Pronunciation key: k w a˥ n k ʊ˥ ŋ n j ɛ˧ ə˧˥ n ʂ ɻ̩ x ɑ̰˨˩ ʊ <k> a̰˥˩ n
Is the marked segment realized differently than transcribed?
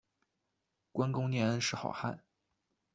yes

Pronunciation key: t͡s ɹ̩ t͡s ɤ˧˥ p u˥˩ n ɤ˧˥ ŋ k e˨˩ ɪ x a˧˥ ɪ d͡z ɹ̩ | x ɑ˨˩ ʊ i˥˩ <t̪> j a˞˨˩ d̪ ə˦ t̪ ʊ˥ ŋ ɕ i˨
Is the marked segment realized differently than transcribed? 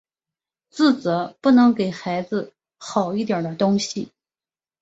no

